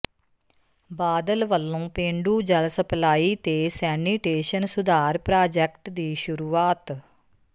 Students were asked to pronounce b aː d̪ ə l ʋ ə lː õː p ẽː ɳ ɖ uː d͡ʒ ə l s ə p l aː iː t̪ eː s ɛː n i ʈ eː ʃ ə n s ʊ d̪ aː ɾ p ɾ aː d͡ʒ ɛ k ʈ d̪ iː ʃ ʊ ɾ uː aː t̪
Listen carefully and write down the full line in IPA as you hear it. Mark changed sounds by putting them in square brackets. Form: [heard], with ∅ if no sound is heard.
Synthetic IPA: b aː d̪ ə l ʋ ə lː õː p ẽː ɳ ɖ uː d͡ʒ ə l s ə p l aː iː t̪ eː s ɛː n i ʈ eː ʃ ə n s ʊ d̪ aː ɾ p ɾ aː d͡ʒ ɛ k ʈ d̪ iː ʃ ʊ ɾ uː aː t̪